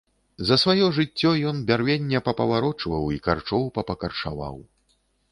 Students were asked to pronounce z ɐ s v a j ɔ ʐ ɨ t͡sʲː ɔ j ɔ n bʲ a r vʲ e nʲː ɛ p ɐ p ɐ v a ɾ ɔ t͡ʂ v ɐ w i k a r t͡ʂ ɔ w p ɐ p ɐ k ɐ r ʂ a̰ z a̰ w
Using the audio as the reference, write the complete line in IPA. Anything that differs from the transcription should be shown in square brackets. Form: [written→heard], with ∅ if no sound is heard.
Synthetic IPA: z ɐ s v a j ɔ ʐ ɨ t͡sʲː ɔ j ɔ n bʲ a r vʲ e nʲː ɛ p ɐ p ɐ v a ɾ ɔ t͡ʂ v ɐ w i k a r t͡ʂ ɔ w p ɐ p ɐ k ɐ r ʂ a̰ [z→v] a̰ w